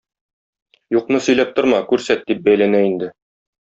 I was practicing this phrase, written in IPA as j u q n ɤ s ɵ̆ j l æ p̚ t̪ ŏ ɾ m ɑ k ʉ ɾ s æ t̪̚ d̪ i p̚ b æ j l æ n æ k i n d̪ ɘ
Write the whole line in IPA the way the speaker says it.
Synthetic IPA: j u q n ɤ s ɵ̆ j l æ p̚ t̪ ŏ ɾ m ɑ k ʉ ɾ s æ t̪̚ d̪ i p̚ b æ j l æ n æ i n d̪ ɘ